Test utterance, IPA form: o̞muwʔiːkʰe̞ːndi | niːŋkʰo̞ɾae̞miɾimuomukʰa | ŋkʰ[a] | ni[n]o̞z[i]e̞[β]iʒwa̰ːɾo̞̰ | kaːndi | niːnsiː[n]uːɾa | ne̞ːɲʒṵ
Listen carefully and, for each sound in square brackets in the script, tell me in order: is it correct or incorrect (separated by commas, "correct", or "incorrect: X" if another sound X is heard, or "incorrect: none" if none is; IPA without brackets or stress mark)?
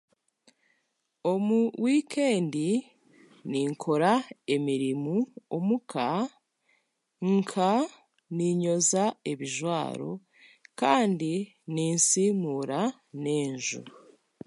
correct, incorrect: ɲ, incorrect: a, correct, incorrect: m